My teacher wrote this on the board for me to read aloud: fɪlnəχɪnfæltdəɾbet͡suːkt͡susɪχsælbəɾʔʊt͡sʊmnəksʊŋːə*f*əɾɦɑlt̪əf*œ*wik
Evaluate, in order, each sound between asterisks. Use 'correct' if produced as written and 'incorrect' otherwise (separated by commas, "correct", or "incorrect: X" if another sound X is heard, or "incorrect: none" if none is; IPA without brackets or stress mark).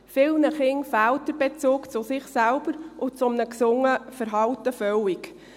correct, correct